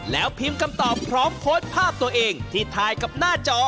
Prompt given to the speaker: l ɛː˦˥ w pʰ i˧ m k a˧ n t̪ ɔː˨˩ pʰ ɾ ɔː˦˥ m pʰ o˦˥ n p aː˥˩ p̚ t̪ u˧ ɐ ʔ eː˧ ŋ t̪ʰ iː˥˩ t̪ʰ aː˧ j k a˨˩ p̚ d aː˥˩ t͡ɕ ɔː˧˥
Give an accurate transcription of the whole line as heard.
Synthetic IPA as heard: l ɛː˦˥ w pʰ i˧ m k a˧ m t̪ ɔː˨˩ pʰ ɾ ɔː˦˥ m pʰ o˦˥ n pʰ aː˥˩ p̚ t̪ u˧ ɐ ʔ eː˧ ŋ t̪ʰ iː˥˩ t̪ʰ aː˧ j k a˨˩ p̚ n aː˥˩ t͡ɕ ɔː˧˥